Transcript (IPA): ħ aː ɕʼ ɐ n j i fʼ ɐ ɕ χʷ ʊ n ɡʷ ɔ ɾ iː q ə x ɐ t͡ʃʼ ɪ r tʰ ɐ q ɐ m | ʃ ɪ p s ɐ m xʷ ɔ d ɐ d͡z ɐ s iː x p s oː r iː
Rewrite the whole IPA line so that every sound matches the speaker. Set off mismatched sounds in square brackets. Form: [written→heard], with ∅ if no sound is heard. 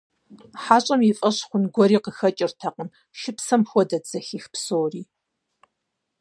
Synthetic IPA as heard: ħ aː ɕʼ ɐ [n→m] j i fʼ ɐ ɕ χʷ ʊ n ɡʷ ɔ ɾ iː q ə x ɐ t͡ʃʼ ɪ r tʰ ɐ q [ɐ→ə] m | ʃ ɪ p s ɐ m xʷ ɔ d ɐ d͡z ɐ [s→x] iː x p s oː r iː